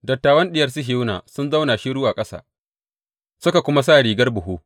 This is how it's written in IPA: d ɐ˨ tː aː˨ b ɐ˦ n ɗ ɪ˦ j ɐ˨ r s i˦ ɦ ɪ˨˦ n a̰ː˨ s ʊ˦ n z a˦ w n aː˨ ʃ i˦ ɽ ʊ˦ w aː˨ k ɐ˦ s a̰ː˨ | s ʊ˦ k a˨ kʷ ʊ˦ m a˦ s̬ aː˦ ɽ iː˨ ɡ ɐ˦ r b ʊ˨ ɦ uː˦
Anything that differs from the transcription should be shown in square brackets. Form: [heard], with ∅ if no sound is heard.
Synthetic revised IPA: d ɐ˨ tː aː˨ [w] ɐ˦ n ɗ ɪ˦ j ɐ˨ r s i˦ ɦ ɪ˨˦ n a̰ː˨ s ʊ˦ n z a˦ w n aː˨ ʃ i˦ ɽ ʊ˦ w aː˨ [kʼ] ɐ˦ s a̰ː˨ | s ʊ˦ k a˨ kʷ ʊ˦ m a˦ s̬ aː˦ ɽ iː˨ ɡ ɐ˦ r b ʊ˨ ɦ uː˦